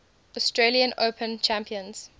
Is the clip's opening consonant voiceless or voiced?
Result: voiceless